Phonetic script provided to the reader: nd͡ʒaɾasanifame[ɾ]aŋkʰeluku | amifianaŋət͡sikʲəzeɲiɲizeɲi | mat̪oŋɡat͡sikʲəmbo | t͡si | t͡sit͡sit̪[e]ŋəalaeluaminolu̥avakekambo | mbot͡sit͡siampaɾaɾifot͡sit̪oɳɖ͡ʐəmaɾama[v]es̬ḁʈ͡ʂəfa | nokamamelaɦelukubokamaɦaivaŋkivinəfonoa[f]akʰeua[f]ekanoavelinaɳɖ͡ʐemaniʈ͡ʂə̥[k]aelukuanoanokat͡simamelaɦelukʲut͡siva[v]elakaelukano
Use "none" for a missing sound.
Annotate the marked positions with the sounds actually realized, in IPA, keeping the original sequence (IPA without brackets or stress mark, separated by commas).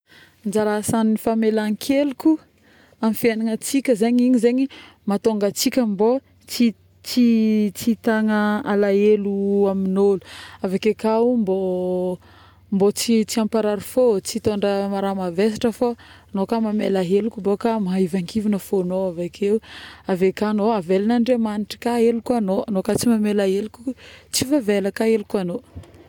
l, a, v, v, v, k, v